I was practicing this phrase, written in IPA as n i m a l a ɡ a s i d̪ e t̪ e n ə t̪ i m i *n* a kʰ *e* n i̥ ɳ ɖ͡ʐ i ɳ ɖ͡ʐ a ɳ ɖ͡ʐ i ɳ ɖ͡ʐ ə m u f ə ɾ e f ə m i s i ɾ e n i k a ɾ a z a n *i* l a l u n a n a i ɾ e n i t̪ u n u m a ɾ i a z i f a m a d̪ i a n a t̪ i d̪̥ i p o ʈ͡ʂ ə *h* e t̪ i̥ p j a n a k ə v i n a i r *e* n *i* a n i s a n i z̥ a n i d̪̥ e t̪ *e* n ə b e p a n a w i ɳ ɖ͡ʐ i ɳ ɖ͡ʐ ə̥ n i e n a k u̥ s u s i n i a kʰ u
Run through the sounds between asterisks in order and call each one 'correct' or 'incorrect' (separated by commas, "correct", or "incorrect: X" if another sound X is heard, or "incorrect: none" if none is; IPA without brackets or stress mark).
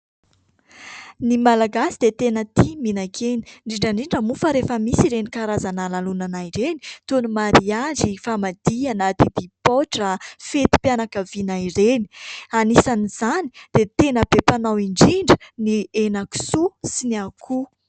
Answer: correct, correct, incorrect: a, incorrect: f, correct, correct, correct